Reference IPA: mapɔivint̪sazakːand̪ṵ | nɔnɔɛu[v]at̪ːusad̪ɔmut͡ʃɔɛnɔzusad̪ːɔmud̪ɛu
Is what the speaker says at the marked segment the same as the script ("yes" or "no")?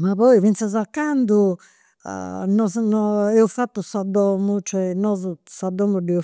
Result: no